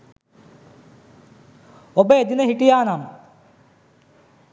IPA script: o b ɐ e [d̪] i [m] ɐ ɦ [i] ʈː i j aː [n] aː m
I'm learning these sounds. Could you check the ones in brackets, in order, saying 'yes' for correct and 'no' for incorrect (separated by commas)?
yes, no, yes, yes